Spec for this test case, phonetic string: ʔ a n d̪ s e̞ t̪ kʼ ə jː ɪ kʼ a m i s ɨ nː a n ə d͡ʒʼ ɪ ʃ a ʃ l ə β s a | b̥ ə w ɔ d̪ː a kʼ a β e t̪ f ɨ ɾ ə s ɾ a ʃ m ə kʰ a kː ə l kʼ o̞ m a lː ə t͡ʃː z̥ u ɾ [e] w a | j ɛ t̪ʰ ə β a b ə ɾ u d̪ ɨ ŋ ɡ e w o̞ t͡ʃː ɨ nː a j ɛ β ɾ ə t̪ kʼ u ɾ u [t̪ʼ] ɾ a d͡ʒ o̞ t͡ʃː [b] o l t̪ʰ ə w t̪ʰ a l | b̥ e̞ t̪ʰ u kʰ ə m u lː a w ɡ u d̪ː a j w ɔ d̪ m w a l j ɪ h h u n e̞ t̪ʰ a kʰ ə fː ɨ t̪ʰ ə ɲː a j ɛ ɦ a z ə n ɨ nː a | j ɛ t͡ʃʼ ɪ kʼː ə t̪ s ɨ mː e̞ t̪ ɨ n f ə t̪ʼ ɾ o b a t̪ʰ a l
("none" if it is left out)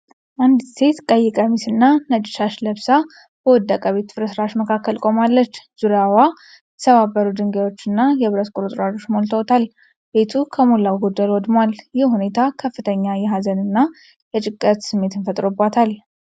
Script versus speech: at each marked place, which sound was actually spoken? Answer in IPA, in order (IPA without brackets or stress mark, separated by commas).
a, t̪ʼ, m